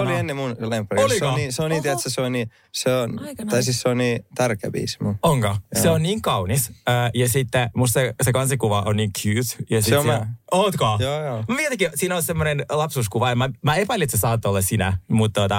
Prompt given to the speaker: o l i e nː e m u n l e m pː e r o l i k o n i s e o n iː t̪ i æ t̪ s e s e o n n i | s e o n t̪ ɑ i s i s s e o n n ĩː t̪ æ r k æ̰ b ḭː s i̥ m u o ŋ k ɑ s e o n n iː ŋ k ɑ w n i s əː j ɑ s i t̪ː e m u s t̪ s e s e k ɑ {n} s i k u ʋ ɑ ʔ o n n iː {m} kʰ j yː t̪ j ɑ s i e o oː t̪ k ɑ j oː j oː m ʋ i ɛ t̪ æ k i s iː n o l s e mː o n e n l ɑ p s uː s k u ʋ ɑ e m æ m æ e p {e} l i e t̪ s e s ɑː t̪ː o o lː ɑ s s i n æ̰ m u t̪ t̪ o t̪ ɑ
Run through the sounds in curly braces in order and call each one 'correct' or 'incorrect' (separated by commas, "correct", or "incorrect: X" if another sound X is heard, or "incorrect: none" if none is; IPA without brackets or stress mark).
correct, incorrect: ŋ, incorrect: æ